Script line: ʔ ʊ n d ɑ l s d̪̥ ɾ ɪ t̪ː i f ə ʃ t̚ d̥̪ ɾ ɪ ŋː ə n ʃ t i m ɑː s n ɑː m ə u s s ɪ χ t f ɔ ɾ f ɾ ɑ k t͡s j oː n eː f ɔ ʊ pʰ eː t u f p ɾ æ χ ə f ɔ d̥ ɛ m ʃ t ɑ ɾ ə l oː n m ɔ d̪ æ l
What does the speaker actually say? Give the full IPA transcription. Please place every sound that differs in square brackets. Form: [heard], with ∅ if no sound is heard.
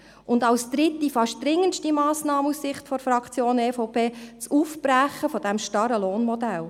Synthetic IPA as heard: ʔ ʊ n d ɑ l s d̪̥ ɾ ɪ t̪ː i f [ɑ] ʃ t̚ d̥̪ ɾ ɪ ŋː ə n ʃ t i m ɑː s n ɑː m ə u s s ɪ χ t f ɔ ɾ f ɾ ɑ k t͡s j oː n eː f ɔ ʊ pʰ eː [t͡s] u f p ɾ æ χ ə f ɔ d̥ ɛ m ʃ t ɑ ɾ ə l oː n m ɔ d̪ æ l